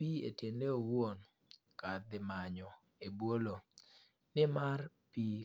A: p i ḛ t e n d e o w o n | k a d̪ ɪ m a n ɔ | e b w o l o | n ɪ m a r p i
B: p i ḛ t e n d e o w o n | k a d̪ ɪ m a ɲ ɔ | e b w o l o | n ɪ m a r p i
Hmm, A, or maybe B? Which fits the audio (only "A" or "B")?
B